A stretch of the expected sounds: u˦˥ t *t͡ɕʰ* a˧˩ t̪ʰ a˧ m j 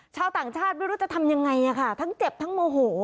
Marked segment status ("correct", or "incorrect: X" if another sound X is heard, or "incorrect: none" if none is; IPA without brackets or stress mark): incorrect: t͡ɕ